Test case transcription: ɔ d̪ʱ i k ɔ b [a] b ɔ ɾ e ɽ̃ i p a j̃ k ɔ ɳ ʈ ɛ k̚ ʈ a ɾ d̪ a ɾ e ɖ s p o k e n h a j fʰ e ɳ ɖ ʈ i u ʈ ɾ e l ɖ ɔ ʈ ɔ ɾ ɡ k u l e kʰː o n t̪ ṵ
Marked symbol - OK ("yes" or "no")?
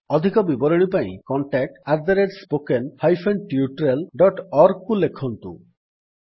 no